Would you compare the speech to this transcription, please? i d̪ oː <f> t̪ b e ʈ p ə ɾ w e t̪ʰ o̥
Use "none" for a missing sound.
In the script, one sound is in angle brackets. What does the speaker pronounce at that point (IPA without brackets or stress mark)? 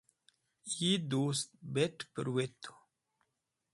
s